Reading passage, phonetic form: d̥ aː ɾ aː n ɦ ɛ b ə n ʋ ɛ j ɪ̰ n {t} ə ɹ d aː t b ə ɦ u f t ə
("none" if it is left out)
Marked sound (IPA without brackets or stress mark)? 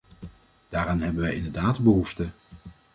d